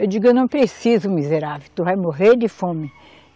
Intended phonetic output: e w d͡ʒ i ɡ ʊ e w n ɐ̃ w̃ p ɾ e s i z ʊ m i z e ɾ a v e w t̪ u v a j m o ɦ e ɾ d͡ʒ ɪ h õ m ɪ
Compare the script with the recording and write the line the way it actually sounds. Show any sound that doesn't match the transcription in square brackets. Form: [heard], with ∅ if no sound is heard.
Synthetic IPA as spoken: e w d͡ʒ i ɡ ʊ e w n ɐ̃ w̃ p ɾ e s i z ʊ m i z e ɾ a v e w t̪ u v a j m o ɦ e ɾ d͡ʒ ɪ [f] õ m ɪ

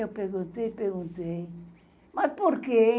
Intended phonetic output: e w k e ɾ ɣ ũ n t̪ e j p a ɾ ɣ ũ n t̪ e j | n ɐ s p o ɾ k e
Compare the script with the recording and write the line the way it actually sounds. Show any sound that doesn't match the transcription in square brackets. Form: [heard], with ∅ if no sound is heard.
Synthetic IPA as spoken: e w [p] e ɾ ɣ ũ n t̪ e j p [e] ɾ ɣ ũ n t̪ e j | [m] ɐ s p o ɾ k e

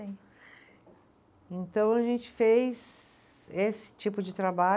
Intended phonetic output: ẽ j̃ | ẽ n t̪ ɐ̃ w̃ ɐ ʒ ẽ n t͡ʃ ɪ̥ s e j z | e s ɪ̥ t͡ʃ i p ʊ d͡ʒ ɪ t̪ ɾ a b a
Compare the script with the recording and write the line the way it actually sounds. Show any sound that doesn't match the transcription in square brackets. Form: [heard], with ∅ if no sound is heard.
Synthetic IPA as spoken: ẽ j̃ | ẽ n t̪ ɐ̃ w̃ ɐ ʒ ẽ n t͡ʃ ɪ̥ [f] e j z | e s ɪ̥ t͡ʃ i p ʊ d͡ʒ ɪ t̪ ɾ a b a

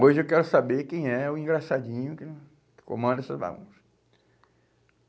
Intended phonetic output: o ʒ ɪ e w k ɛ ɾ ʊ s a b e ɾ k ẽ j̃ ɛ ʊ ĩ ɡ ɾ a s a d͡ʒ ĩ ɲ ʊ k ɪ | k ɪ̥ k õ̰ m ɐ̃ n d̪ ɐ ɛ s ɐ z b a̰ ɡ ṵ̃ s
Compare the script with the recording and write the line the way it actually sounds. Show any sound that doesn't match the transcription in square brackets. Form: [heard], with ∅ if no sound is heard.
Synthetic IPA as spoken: o ʒ ɪ e w k ɛ ɾ ʊ s a b e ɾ k ẽ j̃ ɛ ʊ ĩ ɡ ɾ a s a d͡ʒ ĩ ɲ ʊ k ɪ | k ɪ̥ k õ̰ m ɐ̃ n d̪ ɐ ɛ s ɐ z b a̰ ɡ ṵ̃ s

